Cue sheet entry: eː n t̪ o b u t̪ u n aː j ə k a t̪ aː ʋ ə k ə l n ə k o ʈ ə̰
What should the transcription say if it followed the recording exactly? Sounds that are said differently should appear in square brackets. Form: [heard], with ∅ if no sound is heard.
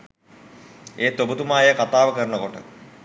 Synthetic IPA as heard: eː [∅] t̪ o b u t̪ u [m] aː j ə k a t̪ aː ʋ ə k ə [ɾ] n ə k o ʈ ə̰